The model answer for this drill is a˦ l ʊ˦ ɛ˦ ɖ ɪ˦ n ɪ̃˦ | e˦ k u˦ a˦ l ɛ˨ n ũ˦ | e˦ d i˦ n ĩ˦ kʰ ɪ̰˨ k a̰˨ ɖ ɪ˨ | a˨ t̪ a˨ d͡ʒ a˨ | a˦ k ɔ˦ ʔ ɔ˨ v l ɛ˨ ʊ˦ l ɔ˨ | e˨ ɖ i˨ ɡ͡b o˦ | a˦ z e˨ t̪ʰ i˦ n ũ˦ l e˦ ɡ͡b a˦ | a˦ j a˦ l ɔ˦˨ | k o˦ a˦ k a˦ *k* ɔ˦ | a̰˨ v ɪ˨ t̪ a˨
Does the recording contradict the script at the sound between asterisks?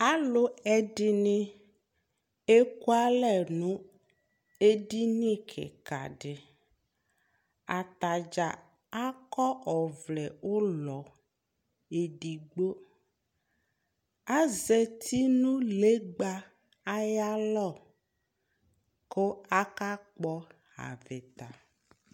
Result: yes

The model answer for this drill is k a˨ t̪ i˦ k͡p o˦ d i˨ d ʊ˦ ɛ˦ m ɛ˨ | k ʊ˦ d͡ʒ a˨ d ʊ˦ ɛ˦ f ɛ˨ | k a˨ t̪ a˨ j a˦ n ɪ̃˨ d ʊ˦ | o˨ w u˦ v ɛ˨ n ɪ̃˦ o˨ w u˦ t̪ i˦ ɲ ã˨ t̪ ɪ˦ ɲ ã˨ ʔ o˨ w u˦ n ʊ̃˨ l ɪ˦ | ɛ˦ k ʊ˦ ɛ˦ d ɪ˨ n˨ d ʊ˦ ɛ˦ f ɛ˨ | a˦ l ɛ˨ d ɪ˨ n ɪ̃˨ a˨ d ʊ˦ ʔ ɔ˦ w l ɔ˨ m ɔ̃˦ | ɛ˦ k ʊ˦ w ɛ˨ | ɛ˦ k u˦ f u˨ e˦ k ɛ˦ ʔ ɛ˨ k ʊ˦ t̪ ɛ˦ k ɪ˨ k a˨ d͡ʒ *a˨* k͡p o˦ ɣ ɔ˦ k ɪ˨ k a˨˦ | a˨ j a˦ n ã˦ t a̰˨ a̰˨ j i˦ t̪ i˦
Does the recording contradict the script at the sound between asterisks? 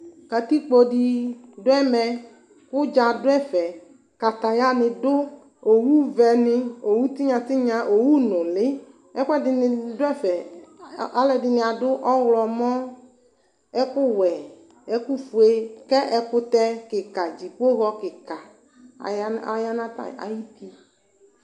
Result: yes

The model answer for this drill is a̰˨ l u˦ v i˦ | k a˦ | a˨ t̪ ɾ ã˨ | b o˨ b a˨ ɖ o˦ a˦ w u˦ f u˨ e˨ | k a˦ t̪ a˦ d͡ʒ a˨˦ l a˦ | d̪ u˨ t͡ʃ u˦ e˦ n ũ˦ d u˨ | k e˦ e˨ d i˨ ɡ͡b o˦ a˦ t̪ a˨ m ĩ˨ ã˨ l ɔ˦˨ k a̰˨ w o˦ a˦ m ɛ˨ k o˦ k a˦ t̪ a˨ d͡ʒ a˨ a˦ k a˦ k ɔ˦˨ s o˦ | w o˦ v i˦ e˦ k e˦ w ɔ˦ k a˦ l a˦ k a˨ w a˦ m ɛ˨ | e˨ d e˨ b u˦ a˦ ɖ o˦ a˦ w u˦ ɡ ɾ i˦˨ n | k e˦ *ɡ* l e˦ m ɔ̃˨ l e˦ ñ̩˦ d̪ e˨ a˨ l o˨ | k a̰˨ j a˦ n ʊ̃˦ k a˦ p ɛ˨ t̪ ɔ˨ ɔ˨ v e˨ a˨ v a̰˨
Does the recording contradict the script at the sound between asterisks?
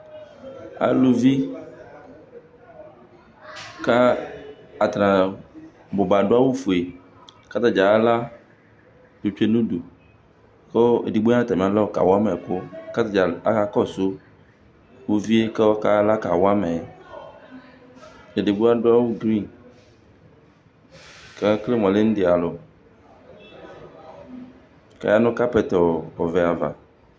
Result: yes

